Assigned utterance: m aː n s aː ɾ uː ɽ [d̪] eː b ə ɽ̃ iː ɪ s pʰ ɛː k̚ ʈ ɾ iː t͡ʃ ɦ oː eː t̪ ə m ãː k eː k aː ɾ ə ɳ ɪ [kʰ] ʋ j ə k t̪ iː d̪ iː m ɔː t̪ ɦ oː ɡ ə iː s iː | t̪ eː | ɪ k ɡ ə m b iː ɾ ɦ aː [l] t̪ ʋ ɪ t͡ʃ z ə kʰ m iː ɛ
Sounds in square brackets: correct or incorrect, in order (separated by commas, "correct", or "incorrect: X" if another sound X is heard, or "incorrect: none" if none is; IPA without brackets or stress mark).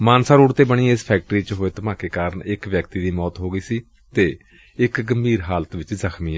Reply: incorrect: t̪, incorrect: k, correct